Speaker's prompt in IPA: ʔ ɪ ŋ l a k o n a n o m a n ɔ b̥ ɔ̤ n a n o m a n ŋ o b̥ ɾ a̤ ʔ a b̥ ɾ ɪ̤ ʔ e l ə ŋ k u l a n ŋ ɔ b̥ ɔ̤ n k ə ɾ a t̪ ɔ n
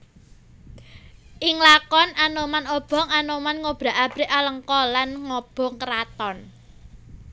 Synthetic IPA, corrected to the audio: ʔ ɪ ŋ l a k ɔ n a n o m a n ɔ b̥ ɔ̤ ŋ a n o m a n ŋ o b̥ ɾ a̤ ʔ a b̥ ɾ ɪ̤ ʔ a l ə ŋ k ɔ l a n ŋ ɔ b̥ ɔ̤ ŋ k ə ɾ a t̪ ɔ n